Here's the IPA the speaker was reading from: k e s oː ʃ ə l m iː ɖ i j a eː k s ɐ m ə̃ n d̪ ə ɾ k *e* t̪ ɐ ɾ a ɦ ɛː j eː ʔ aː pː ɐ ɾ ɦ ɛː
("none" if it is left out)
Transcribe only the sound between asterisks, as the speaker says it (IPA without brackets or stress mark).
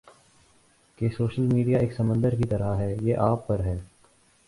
i